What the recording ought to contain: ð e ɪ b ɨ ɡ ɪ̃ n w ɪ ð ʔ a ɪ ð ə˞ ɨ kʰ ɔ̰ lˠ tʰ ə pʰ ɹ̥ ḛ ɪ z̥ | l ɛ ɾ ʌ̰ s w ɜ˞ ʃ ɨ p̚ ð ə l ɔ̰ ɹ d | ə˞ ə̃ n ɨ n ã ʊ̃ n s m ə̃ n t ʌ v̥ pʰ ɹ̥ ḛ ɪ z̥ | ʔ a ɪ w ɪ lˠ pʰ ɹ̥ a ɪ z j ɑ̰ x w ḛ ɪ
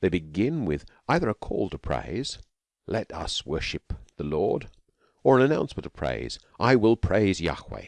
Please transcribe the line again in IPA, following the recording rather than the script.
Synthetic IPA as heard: ð e ɪ b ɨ ɡ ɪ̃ n w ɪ ð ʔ a ɪ ð ə˞ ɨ kʰ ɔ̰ lˠ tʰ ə pʰ ɹ̥ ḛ ɪ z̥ | l ɛ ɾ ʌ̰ s w ɜ˞ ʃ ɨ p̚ ð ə l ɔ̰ ɹ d | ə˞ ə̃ n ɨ n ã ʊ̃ n s m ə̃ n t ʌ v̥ pʰ ɹ̥ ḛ ɪ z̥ | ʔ a ɪ w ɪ lˠ pʰ ɹ̥ e ɪ z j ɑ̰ x w ḛ ɪ